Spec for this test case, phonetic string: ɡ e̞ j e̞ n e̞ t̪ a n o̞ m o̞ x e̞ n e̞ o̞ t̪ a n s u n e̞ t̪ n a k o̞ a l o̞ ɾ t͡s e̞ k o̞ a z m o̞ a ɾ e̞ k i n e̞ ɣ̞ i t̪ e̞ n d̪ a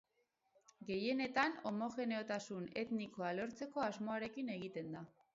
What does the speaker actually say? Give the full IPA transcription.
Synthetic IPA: ɡ e̞ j e̞ n e̞ t̪ a n o̞ m o̞ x e̞ n e̞ o̞ t̪ a s u n e̞ t̪ n i k o̞ a l o̞ ɾ t͡s e̞ k o̞ a z m o̞ a ɾ e̞ k i n e̞ ɣ̞ i t̪ e̞ n d̪ a